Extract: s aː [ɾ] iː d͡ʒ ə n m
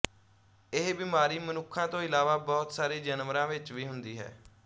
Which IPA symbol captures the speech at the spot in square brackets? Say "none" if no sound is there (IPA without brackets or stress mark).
ɾ